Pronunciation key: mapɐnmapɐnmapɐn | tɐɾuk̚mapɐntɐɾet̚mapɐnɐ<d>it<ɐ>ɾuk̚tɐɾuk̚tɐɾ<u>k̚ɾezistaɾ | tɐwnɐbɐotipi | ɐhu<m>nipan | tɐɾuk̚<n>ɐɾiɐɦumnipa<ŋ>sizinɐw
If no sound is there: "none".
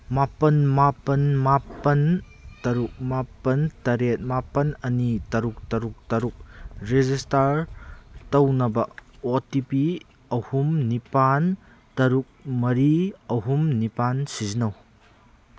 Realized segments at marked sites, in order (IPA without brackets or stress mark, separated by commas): n, ɐ, u, m, m, n